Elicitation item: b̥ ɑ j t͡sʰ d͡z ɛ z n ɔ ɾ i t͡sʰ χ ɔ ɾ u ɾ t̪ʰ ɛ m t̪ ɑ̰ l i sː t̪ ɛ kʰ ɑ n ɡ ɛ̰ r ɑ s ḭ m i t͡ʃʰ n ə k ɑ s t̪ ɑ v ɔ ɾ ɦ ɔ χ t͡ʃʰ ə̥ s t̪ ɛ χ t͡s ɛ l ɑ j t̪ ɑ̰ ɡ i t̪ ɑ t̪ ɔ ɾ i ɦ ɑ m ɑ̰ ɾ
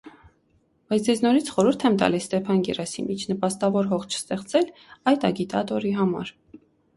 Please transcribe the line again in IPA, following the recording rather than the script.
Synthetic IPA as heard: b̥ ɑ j t͡sʰ d͡z ɛ z n ɔ ɾ i t͡sʰ χ ɔ ɾ u ɾ t̪ʰ ɛ m t̪ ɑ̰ l i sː t̪ ɛ pʰ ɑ n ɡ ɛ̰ r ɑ s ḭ m i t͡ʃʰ n ə p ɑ s t̪ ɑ v ɔ ɾ ɦ ɔ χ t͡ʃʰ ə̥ s t̪ ɛ χ t͡s ɛ l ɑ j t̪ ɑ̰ ɡ i t̪ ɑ t̪ ɔ ɾ i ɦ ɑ m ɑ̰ ɾ